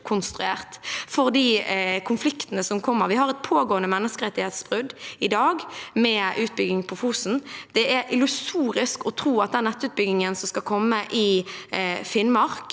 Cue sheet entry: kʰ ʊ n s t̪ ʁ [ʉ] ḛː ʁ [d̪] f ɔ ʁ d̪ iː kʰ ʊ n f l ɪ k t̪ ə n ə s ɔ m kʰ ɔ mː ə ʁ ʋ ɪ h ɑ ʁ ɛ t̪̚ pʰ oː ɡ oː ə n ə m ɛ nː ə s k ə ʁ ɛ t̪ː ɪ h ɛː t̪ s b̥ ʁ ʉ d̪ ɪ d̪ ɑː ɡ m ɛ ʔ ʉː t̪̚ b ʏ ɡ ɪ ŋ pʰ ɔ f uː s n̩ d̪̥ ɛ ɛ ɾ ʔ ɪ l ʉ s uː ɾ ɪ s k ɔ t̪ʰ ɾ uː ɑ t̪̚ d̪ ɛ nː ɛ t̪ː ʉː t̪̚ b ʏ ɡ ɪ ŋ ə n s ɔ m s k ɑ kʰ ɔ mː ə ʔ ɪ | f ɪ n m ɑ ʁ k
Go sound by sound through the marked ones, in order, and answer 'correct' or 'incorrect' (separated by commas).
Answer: correct, incorrect